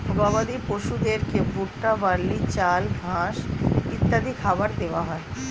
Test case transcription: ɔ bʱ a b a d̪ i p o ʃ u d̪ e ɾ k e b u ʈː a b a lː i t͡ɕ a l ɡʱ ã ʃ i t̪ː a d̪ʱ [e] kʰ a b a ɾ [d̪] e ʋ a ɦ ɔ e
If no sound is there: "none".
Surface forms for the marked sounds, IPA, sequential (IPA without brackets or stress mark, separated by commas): i, d̪